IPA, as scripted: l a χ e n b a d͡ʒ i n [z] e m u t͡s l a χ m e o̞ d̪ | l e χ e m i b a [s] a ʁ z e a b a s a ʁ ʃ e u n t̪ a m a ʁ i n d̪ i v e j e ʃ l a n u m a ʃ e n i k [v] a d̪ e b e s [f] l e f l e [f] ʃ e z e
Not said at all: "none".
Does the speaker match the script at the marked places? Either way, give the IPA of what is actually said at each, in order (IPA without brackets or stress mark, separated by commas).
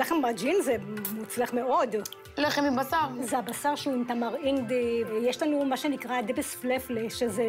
z, s, ʁ, f, none